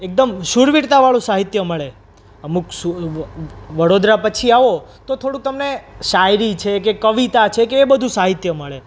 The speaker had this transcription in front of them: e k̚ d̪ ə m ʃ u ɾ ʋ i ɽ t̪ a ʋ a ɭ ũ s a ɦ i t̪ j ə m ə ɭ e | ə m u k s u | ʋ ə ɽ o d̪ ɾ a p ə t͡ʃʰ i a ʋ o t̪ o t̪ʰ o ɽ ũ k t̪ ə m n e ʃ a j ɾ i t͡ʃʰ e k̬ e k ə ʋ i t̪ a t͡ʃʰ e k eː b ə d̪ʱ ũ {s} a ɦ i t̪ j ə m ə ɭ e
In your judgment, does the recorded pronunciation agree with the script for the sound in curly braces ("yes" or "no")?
yes